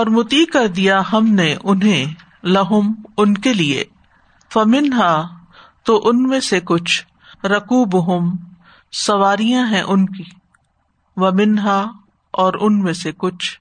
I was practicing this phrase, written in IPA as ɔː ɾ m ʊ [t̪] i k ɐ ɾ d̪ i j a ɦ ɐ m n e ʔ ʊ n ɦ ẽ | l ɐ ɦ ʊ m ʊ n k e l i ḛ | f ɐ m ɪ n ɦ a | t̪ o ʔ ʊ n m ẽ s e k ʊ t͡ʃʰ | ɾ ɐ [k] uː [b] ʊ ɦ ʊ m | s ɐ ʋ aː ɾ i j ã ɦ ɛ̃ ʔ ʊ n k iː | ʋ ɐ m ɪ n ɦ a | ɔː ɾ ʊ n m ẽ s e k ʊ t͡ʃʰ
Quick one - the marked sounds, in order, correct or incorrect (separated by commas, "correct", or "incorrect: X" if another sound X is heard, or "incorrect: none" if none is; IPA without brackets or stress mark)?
correct, correct, correct